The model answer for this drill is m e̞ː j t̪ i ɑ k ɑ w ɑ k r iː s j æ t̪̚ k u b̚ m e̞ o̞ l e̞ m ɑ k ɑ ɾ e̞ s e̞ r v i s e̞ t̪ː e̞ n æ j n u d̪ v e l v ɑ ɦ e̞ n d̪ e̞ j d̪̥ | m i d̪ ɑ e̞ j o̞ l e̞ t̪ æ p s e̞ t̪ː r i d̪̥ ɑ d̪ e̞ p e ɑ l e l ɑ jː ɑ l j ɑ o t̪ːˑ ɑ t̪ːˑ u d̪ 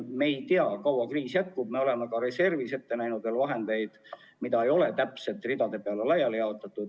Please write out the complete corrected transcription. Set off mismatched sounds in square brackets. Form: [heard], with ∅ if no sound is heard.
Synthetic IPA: m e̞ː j t̪ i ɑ k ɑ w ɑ k r iː s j æ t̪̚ k u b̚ m e̞ o̞ l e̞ m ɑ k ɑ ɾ e̞ s e̞ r v i s e̞ t̪ː e̞ n æ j n u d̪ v e l v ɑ ɦ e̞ n d̪ e̞ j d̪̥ | m i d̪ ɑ e̞ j o̞ l e̞ t̪ æ p s e̞ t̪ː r i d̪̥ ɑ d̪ e̞ p e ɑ l e l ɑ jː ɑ l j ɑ o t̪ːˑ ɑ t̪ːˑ u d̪

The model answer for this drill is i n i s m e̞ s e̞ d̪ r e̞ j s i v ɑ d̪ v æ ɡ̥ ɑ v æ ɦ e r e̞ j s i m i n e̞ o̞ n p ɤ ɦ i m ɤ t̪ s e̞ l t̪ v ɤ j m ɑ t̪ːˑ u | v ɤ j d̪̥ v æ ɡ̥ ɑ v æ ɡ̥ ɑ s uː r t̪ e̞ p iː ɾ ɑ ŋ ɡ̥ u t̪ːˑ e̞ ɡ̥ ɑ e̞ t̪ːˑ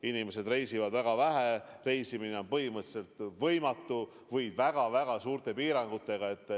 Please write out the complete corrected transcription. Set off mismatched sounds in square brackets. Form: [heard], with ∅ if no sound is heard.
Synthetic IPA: i n i [∅] m e̞ s e̞ d̪ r e̞ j s i v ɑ d̪ v æ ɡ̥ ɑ v æ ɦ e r e̞ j s i m i n e̞ o̞ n p ɤ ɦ i m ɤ t̪ s e̞ l t̪ v ɤ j m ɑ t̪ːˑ u | v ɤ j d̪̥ v æ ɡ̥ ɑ v æ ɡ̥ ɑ s uː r t̪ e̞ p iː ɾ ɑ ŋ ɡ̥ u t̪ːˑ e̞ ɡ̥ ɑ e̞ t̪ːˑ

